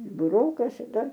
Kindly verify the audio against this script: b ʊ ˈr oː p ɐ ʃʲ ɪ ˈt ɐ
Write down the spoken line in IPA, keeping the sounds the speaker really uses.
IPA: b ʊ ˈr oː k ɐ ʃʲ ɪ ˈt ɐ